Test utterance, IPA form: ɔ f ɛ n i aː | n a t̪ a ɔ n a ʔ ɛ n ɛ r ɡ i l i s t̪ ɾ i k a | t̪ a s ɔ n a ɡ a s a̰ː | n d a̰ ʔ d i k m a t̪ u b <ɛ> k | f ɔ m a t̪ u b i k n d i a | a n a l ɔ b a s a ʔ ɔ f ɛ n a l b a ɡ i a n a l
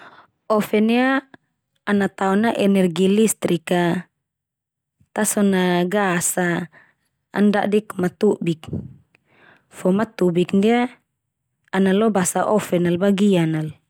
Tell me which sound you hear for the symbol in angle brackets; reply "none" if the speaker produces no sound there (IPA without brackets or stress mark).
i